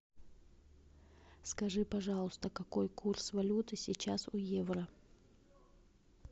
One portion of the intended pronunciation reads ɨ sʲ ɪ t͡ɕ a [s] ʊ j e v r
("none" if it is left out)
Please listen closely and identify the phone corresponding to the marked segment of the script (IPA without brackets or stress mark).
s